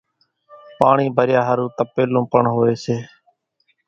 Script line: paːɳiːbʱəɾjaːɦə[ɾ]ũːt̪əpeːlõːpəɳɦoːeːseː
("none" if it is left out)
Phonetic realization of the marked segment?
ɾ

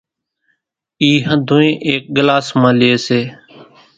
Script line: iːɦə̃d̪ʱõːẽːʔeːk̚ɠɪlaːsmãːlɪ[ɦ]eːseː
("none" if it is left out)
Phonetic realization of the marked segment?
none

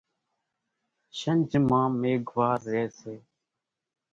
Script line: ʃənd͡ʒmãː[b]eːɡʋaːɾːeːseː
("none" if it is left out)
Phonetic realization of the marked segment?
m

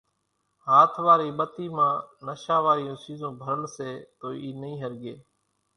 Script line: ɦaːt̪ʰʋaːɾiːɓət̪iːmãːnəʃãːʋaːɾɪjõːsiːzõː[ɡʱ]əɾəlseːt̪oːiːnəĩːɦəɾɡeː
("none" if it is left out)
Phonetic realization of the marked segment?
bʱ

